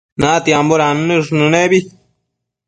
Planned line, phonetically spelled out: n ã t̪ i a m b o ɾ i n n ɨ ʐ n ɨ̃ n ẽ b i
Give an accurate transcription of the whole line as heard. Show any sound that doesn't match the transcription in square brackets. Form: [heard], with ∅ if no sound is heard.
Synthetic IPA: n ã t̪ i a m b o ɾ [a] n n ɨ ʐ n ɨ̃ n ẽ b i